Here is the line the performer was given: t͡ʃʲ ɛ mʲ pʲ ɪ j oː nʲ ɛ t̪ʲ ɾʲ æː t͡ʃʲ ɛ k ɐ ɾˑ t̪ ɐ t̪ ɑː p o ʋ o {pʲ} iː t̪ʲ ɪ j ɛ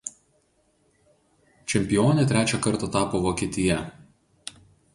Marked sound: incorrect: kʲ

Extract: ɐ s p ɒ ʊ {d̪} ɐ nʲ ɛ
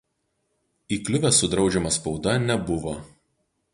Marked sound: correct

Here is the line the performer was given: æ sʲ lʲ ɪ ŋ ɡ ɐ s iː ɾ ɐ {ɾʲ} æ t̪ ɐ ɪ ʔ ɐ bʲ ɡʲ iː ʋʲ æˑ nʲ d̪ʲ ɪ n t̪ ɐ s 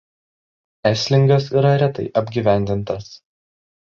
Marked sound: correct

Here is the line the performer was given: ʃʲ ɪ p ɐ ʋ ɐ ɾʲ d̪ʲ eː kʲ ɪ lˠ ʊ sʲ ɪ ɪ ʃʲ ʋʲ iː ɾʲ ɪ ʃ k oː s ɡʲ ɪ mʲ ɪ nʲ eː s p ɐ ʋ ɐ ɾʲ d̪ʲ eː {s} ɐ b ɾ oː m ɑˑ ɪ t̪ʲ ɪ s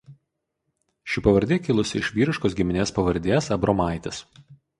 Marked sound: correct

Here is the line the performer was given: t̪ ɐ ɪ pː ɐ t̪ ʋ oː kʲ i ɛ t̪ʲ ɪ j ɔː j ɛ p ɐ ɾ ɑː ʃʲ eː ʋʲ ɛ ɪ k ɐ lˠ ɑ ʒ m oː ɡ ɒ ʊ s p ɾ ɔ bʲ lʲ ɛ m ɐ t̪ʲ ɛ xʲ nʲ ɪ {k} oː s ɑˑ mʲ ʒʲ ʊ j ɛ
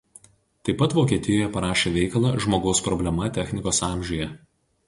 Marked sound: correct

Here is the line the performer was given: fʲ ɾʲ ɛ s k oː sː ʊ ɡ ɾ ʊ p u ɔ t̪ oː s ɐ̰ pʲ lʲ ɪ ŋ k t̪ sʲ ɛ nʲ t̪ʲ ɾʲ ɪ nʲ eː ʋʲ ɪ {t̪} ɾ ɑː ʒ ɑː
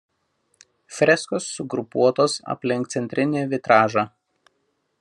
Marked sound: correct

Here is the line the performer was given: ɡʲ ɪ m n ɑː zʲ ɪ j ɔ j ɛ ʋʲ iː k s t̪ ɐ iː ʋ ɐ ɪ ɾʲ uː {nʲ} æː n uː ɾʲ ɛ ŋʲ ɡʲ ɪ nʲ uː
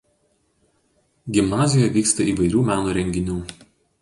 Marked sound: incorrect: mʲ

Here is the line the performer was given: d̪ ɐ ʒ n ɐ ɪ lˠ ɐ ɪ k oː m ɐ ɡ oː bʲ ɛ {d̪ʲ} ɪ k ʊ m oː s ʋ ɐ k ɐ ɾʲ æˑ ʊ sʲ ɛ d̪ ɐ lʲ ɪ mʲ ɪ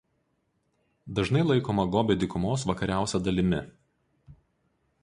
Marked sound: correct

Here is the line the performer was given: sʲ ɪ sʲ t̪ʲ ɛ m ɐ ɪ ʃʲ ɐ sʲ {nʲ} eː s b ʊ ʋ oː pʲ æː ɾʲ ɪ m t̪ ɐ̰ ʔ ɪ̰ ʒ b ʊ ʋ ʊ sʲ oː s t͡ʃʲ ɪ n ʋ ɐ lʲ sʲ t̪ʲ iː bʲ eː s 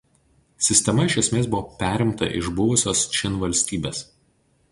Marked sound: incorrect: mʲ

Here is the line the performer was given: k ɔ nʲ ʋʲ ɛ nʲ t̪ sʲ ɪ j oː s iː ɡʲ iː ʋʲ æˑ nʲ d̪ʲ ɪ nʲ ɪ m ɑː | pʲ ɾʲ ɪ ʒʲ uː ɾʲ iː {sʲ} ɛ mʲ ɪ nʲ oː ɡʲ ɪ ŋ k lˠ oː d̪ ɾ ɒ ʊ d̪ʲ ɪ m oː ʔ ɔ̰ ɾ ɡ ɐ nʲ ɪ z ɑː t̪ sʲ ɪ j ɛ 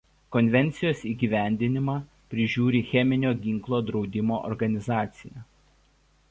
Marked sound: incorrect: xʲ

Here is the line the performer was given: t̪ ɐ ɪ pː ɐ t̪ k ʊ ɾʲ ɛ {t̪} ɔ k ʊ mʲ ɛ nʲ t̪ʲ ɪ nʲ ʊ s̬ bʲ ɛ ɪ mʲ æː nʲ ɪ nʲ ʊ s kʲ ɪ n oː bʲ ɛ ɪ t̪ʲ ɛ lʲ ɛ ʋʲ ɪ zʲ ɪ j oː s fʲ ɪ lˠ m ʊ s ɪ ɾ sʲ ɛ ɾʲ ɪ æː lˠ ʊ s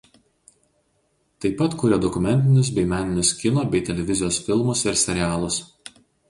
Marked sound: incorrect: d̪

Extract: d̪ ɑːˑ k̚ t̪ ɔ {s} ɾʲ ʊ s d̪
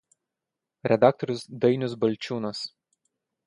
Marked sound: incorrect: none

